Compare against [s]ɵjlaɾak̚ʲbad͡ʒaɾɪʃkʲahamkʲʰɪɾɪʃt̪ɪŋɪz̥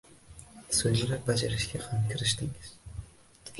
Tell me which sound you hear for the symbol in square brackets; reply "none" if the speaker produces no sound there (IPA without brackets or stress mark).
s